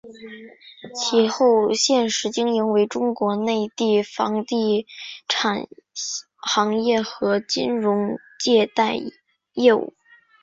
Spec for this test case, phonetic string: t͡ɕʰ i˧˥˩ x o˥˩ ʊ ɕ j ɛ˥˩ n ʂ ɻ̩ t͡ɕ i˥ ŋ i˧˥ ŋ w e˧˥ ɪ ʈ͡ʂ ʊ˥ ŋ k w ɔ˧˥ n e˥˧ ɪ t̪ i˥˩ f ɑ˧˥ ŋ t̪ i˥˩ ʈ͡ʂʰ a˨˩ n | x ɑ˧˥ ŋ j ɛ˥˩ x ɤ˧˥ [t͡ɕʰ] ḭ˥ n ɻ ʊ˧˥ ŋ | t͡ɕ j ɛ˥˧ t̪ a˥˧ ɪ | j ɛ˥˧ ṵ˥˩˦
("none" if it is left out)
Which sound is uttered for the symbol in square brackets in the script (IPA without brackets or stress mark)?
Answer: t͡ɕ